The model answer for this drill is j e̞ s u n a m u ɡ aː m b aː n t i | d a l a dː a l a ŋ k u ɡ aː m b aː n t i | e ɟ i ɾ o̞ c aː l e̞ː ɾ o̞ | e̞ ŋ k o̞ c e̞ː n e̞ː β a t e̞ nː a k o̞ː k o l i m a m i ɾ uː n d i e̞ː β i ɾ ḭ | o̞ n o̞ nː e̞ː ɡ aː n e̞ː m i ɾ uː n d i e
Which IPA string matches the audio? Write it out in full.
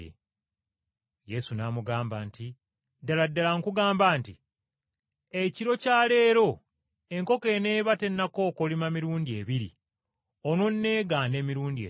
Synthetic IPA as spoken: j e̞ s u n a m u ɡ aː m b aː n t i | d a l a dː a l a ŋ k u ɡ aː m b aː n t i | e c i ɾ o̞ c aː l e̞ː ɾ o̞ | e̞ ŋ k o̞ k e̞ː n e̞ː β a t e̞ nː a k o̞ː k o l i m a m i ɾ uː n d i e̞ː β i ɾ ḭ | o̞ n o̞ nː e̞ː ɡ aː n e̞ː m i ɾ uː n d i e